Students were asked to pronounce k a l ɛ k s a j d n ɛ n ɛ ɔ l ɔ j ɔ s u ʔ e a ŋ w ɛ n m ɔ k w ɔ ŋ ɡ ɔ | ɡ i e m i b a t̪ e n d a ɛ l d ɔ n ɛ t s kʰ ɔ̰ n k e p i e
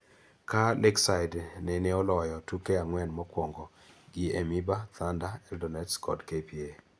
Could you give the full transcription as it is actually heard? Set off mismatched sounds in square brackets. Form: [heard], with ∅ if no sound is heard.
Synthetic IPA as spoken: k a l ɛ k s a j d n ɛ n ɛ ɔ l ɔ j ɔ [t] u [k] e a ŋ w ɛ n m ɔ k w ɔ ŋ ɡ ɔ | ɡ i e m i b a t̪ [a] n d a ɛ l d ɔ n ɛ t s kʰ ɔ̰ [d] k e p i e